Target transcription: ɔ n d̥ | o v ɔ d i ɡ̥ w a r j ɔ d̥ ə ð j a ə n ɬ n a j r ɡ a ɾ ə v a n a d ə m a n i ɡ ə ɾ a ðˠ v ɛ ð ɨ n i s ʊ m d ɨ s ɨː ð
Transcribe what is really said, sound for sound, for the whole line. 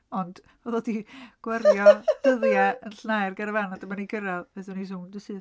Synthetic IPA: ɔ n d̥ | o ð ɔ d i ɡ̥ w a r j ɔ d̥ ə ð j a ə n ɬ n a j r ɡ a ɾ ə v a n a d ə m a n i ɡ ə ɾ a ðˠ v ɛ ð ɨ n i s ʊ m d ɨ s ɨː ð